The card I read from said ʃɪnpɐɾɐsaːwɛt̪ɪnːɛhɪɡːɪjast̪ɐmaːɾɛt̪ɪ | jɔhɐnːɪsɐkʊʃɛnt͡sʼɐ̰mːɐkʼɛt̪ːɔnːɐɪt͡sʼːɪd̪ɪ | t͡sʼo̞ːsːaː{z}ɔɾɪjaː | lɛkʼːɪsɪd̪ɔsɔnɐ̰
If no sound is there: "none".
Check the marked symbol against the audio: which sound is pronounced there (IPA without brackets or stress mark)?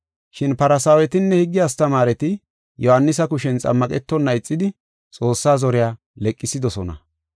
z